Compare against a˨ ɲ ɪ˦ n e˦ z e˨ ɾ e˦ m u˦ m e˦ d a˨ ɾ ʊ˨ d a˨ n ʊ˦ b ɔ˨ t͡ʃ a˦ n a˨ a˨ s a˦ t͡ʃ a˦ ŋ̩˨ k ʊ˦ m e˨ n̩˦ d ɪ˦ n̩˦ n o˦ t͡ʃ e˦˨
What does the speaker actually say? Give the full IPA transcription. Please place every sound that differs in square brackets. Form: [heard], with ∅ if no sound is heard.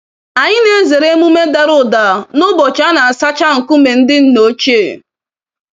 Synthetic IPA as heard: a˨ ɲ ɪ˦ n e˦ z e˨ ɾ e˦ m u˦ m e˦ d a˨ ɾ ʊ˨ d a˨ n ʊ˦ b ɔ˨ t͡ʃ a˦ n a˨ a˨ s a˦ t͡ʃ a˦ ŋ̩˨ k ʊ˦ m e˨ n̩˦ d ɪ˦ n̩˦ n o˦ t͡ʃ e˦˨